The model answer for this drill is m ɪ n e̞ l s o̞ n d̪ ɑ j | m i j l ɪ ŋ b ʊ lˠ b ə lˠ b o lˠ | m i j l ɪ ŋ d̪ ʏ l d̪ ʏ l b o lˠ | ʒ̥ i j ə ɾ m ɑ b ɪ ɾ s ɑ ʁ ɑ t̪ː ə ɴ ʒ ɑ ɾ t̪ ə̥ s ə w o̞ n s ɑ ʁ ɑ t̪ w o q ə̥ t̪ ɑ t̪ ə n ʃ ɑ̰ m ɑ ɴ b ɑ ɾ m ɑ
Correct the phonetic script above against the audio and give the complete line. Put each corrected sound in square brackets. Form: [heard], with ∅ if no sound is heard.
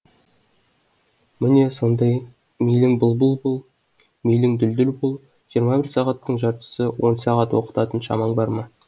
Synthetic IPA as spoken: m ɪ n e̞ [∅] s o̞ n d̪ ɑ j | m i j l ɪ ŋ b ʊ lˠ b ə lˠ b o lˠ | m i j l ɪ ŋ d̪ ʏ l d̪ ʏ l b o lˠ | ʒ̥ i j ə ɾ m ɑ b ɪ ɾ s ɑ ʁ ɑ t̪ː ə ɴ ʒ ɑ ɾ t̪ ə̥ s ə w o̞ n s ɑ ʁ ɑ t̪ w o q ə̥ t̪ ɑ t̪ ə n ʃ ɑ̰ m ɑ ɴ b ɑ ɾ m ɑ

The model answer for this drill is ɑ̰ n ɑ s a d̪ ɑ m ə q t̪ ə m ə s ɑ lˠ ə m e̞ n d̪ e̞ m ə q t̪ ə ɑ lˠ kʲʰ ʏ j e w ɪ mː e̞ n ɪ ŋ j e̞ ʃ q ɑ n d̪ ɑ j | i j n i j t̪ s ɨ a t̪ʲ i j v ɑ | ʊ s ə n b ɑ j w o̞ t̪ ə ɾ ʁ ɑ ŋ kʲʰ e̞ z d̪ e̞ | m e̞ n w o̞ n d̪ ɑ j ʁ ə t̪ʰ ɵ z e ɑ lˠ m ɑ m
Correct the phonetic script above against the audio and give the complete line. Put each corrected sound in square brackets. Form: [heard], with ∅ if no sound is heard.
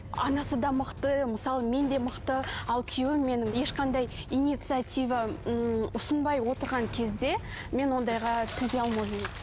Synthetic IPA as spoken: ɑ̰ n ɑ s [ə] d̪ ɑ m ə q t̪ ə m ə s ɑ lˠ ə m e̞ n d̪ e̞ m ə q t̪ ə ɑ lˠ kʲʰ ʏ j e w ɪ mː e̞ n ɪ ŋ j e̞ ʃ q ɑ n d̪ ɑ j | i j n i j t̪ s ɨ a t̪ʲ i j v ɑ | ʊ s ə n b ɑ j w o̞ t̪ ə ɾ ʁ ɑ ŋ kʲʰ e̞ z d̪ e̞ | m e̞ n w o̞ n d̪ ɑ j ʁ [ɑ] t̪ʰ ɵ z e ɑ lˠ m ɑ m

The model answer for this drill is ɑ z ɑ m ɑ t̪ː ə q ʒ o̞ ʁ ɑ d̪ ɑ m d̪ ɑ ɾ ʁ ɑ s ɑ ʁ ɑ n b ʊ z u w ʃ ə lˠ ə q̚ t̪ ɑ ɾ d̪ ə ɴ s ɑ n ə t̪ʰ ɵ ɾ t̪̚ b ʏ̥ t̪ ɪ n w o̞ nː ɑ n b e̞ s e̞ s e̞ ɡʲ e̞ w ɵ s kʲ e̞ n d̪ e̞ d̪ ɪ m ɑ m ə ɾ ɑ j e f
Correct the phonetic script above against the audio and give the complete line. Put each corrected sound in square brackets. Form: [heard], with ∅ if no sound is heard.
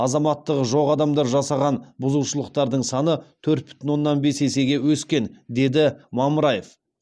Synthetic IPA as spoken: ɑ z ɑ m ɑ t̪ː ə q ʒ o̞ ʁ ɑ d̪ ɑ m d̪ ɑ ɾ [ʒ] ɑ s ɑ ʁ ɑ n b ʊ z u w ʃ ə lˠ ə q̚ t̪ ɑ ɾ d̪ ə ɴ s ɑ n ə t̪ʰ ɵ ɾ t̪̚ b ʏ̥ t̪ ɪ n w o̞ nː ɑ n b e̞ s e̞ s e̞ ɡʲ e̞ w ɵ s kʲ e̞ n d̪ e̞ d̪ ɪ m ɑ m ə ɾ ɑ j e f

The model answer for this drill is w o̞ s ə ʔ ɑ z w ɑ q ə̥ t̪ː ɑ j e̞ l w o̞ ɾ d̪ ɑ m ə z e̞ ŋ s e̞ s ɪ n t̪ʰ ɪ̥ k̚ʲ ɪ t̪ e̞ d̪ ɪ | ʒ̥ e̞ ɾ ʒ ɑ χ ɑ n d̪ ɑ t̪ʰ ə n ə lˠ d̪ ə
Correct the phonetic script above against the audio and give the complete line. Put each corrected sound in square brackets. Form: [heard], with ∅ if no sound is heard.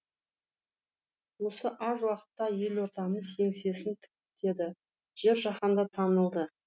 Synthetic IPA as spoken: w o̞ s ə ʔ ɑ z w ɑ q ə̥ t̪ː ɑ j e̞ l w o̞ ɾ [t̪] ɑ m ə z e̞ ŋ s e̞ s ɪ n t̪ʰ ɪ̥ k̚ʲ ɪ t̪ e̞ d̪ ɪ | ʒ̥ e̞ ɾ ʒ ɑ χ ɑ n d̪ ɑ t̪ʰ [ɑ] n ə lˠ d̪ ə

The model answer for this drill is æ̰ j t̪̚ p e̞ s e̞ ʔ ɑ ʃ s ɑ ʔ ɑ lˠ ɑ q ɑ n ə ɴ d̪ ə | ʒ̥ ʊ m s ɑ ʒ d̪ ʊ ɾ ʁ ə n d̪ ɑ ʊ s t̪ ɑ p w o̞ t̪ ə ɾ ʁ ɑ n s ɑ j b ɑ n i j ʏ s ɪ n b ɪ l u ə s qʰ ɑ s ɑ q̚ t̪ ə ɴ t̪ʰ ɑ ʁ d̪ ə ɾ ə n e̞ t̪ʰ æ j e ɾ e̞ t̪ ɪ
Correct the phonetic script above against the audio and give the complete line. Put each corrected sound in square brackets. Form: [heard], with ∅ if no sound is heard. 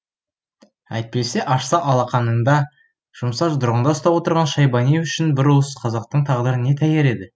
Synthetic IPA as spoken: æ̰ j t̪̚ p e̞ s e̞ ʔ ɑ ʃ s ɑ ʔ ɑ lˠ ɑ q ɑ n ə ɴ d̪ [ɑ] | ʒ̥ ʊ m s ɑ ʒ d̪ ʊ ɾ ʁ ə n d̪ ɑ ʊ s t̪ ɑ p w o̞ t̪ ə ɾ ʁ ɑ n [ʃ] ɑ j b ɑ n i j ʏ [ʃ] ɪ n b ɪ [ɾ] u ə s qʰ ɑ [z] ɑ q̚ t̪ ə ɴ t̪ʰ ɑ ʁ d̪ ə ɾ ə n e̞ t̪ʰ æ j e ɾ e̞ [d̪] ɪ

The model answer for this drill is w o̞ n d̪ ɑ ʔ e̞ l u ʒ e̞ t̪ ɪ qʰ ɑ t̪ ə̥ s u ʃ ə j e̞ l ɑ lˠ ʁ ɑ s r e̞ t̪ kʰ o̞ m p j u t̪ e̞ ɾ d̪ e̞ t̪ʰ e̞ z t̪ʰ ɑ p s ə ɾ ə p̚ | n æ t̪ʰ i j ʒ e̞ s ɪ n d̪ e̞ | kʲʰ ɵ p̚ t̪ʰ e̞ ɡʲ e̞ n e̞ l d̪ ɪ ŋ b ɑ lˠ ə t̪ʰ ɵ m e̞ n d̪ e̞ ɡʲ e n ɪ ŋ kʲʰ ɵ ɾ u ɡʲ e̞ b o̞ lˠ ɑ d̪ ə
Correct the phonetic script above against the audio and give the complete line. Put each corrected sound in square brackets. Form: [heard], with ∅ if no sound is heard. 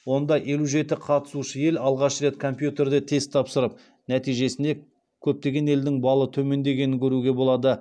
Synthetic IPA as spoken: w o̞ n d̪ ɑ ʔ e̞ l u ʒ e̞ t̪ ɪ qʰ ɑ t̪ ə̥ s u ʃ ə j e̞ l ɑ lˠ ʁ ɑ [ʃ] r e̞ t̪ kʰ o̞ m p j u t̪ e̞ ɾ d̪ e̞ t̪ʰ e̞ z t̪ʰ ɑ p s ə ɾ ə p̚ | n æ [t̪] i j ʒ e̞ s ɪ n d̪ e̞ | kʲʰ ɵ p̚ [t̪] e̞ ɡʲ e̞ n e̞ l d̪ ɪ ŋ b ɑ lˠ ə t̪ʰ ɵ m e̞ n d̪ e̞ ɡʲ e n ɪ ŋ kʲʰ ɵ ɾ u ɡʲ e̞ b o̞ lˠ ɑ d̪ ə

